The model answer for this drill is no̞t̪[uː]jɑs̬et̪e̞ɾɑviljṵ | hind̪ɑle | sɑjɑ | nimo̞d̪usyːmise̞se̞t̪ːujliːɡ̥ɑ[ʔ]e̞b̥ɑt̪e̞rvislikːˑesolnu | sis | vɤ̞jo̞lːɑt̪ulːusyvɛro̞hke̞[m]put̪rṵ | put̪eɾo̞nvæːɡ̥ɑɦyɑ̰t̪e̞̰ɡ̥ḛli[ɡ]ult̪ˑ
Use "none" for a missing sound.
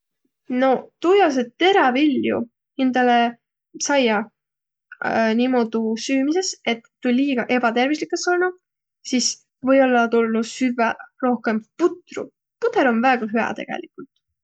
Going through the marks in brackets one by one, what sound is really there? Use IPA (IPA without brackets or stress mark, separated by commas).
u, ʔ, m, k